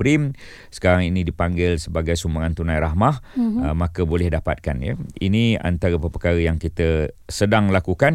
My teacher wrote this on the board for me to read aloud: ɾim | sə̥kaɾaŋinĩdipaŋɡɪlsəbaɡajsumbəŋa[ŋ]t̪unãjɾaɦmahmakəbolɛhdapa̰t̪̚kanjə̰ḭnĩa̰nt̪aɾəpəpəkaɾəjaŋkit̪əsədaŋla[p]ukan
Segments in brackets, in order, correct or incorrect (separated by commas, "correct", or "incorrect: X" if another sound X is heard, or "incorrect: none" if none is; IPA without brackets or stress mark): incorrect: n, incorrect: k